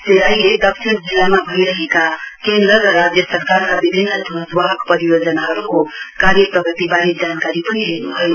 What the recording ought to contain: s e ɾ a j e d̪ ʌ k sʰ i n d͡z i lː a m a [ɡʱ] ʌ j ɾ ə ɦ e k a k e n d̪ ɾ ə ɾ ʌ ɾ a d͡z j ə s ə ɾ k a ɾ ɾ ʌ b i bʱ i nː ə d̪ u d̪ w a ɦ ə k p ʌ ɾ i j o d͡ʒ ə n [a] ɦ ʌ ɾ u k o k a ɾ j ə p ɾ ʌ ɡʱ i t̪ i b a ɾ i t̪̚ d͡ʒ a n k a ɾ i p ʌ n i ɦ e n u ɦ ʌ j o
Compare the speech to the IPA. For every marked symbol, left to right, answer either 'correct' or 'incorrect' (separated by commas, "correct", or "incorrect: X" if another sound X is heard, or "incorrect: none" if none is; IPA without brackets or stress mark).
incorrect: bʱ, correct